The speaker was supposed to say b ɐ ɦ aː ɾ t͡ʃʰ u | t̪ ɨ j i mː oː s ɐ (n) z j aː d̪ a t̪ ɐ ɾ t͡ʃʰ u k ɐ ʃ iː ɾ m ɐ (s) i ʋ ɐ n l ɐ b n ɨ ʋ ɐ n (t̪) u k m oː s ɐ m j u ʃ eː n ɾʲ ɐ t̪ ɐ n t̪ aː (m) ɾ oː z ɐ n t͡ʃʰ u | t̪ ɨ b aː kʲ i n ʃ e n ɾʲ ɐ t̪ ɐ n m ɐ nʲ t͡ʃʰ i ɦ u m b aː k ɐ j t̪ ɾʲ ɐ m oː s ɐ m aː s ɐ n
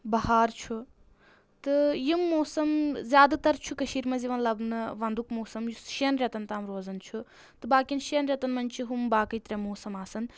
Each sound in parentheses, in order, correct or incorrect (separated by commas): incorrect, incorrect, incorrect, correct